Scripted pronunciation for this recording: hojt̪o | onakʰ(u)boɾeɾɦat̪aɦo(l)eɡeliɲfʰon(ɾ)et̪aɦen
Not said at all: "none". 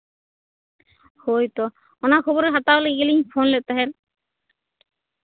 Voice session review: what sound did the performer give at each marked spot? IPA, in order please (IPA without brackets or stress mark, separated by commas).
ɔ, l, l